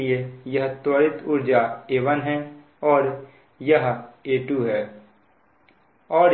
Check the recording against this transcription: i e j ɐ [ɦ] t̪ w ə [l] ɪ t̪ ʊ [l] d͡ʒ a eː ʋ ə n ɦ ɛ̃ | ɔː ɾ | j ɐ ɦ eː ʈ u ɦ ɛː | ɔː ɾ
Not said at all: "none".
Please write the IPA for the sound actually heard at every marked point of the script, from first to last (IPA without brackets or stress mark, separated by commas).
ɦ, ɾ, ɾ